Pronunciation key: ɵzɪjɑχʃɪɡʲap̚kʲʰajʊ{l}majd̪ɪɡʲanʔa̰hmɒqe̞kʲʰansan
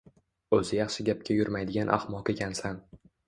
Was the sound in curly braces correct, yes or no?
no